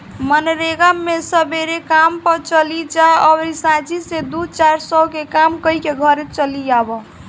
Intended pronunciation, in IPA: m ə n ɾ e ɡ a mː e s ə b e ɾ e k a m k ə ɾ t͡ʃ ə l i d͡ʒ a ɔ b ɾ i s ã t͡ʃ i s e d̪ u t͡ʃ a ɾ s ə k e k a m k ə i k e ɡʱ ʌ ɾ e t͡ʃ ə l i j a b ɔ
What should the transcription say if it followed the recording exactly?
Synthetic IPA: m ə n ɾ e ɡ a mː e s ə b e ɾ e k a m p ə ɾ t͡ʃ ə l i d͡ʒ a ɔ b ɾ i s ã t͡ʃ i s e d̪ u t͡ʃ a ɾ s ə k e k a m k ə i k e ɡʱ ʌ ɾ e t͡ʃ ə l i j a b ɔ